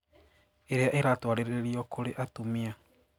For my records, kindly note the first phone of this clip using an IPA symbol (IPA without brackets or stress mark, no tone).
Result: e